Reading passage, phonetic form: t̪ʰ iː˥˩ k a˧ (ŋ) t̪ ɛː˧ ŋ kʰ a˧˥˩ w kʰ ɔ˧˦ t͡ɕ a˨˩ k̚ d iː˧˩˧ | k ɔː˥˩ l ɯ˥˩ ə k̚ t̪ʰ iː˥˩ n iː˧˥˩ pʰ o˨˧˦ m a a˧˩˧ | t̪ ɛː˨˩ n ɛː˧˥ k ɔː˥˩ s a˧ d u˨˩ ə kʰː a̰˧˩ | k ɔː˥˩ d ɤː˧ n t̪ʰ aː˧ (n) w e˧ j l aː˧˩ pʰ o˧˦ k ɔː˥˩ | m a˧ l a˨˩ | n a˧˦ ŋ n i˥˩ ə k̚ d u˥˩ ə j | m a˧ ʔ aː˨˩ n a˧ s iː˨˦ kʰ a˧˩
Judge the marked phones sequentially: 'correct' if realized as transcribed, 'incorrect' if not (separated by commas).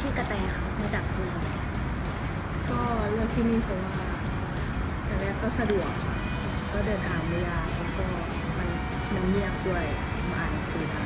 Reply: incorrect, incorrect